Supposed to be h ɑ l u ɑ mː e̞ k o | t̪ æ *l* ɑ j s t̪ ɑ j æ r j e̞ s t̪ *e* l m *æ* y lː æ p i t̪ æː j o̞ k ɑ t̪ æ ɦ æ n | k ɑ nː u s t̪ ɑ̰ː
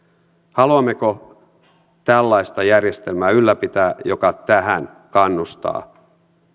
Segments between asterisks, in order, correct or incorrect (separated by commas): incorrect, correct, incorrect